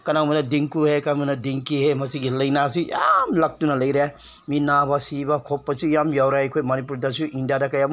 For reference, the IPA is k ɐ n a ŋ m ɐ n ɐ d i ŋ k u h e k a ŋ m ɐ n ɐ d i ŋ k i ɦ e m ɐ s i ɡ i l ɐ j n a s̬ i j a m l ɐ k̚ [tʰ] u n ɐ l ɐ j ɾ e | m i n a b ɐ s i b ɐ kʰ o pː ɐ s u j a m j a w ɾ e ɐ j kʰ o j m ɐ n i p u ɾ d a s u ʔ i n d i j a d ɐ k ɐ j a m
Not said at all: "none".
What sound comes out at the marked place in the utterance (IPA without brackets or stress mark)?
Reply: t